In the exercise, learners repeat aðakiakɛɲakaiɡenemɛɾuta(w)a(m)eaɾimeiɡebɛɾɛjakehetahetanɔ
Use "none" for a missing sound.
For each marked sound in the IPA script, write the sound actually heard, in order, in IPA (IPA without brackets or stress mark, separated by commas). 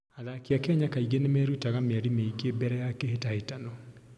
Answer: ɣ, m